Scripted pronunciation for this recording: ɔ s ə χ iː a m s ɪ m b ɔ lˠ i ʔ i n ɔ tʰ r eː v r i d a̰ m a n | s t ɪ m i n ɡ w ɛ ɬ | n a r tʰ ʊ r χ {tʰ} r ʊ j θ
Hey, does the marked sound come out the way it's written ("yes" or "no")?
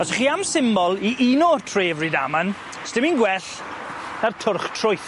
yes